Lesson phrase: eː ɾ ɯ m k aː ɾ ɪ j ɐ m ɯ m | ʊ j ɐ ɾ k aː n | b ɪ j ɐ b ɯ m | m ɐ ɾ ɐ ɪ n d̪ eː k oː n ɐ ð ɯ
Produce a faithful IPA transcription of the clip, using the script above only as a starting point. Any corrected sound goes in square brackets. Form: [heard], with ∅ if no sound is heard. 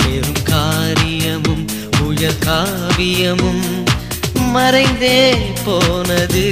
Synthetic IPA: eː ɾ ɯ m k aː ɾ ɪ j ɐ m ɯ m | ʊ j ɐ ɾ k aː [∅] | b ɪ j ɐ [m] ɯ m | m ɐ ɾ ɐ ɪ n d̪ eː [p] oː n ɐ ð ɯ